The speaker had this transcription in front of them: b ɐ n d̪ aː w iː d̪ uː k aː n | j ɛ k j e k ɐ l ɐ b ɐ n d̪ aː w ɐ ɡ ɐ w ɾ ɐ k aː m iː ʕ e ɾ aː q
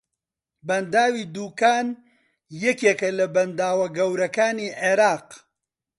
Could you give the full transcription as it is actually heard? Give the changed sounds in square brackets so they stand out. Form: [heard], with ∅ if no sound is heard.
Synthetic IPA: b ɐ n d̪ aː w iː d̪ uː k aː n | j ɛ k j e k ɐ l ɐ b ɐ n d̪ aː w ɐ ɡ ɐ w ɾ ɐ k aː [n] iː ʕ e ɾ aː q